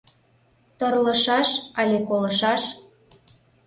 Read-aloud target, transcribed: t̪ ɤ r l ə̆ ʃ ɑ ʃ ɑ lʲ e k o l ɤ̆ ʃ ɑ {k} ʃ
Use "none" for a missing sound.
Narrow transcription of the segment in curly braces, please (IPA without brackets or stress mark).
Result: none